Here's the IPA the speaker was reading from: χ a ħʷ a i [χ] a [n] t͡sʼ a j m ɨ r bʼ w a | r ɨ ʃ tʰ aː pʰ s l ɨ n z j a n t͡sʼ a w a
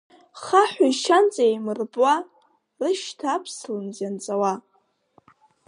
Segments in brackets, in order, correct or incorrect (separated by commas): incorrect, correct